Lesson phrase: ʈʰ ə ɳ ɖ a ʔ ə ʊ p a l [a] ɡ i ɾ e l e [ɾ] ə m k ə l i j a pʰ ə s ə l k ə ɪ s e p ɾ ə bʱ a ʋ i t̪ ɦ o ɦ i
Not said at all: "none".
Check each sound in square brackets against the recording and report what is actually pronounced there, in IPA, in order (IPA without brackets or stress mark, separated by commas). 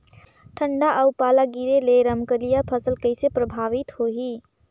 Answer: a, ɾ